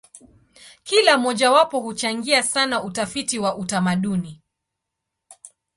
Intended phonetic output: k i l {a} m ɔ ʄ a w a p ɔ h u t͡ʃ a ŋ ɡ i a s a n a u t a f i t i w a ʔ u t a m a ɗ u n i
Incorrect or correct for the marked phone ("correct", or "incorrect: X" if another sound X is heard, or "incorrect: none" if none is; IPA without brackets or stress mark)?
correct